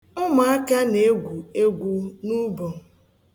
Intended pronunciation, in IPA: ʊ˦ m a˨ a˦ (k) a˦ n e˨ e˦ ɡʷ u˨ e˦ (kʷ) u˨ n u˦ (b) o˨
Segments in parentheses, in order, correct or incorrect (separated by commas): correct, incorrect, correct